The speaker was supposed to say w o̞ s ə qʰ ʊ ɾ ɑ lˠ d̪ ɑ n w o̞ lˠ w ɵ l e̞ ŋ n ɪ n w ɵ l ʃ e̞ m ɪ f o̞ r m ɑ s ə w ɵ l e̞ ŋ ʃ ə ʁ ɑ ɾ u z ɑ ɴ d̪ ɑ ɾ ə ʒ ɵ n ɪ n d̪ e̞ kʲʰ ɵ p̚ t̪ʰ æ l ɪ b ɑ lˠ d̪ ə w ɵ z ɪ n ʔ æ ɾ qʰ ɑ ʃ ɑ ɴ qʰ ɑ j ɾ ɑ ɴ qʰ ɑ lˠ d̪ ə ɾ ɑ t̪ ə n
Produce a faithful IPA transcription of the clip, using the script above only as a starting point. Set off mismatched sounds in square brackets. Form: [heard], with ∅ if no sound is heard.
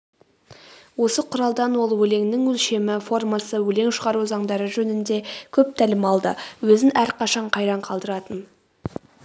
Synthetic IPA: w o̞ s ə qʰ ʊ ɾ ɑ lˠ d̪ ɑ n w o̞ lˠ w ɵ l e̞ ŋ n ɪ [ŋ] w ɵ l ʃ e̞ m ɪ f o̞ r m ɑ s ə w ɵ l e̞ ŋ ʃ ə ʁ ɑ ɾ u z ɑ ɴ d̪ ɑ ɾ ə ʒ ɵ n ɪ n d̪ e̞ kʲʰ ɵ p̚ t̪ʰ æ l ɪ [m] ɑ lˠ d̪ ə w ɵ z ɪ n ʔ æ ɾ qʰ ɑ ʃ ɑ ɴ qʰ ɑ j ɾ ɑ ɴ qʰ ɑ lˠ d̪ ə ɾ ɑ t̪ ə n